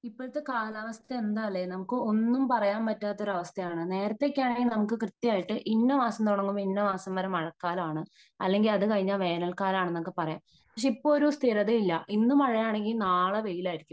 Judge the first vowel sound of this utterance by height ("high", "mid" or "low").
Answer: high